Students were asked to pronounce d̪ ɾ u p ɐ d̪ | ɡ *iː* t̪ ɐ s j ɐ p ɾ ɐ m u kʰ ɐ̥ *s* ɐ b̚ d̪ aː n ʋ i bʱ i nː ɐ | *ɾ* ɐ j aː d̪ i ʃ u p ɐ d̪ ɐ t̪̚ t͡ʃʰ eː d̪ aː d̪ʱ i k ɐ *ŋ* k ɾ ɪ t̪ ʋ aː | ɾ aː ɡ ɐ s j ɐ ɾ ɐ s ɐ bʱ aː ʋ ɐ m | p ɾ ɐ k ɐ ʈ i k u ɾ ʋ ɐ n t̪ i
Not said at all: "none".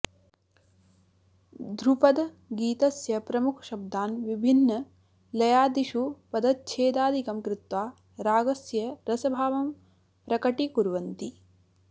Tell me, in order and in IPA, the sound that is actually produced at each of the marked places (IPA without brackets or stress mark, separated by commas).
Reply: iː, ʃ, l, m